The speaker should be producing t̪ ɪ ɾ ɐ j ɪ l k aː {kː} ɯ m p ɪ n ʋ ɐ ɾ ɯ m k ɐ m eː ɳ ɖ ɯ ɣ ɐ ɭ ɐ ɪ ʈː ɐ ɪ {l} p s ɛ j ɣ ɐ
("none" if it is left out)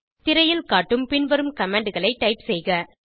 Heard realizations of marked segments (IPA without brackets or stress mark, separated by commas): ʈː, none